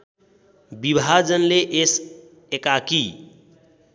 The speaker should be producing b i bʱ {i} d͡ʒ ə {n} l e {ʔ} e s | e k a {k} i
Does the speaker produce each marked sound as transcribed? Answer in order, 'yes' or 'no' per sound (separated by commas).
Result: no, yes, yes, yes